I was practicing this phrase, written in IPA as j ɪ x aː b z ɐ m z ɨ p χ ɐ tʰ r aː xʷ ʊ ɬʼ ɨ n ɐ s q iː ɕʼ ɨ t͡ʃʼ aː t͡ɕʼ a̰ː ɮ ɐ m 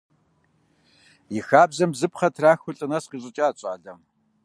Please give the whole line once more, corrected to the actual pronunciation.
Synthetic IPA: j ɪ x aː b z ɐ m z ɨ p χ ɐ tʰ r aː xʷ ʊ ɬʼ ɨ n ɐ s q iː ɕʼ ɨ t͡ʃʼ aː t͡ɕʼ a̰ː ɮ ɐ m